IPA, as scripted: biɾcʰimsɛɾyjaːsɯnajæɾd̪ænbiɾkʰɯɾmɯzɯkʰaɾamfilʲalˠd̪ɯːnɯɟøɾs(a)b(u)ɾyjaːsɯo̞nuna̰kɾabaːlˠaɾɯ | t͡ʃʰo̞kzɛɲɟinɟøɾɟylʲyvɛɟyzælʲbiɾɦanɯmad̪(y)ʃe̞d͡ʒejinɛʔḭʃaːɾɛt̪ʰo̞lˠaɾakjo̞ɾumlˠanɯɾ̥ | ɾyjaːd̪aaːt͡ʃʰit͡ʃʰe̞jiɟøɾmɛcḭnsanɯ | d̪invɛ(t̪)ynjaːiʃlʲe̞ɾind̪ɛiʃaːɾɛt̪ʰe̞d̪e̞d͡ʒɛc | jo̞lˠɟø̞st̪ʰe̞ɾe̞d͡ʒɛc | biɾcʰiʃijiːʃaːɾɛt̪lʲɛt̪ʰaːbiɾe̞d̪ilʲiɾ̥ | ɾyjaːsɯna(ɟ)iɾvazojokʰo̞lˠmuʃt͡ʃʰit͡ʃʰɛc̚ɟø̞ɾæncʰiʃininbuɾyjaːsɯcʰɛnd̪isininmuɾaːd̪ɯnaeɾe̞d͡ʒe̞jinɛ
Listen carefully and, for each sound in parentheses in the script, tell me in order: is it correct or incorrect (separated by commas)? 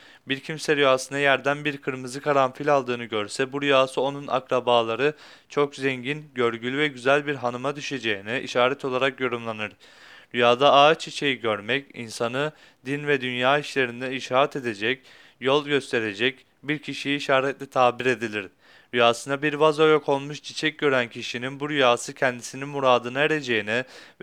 incorrect, correct, correct, incorrect, incorrect